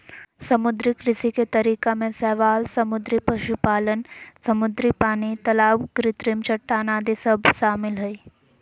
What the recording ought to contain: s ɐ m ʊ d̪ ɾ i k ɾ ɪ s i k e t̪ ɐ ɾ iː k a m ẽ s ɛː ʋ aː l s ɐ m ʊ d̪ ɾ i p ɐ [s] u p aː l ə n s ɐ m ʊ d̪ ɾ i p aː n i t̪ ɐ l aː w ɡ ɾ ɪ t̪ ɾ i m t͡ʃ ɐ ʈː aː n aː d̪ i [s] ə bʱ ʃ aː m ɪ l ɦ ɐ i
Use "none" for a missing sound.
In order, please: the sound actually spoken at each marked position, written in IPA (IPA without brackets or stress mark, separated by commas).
ʃ, s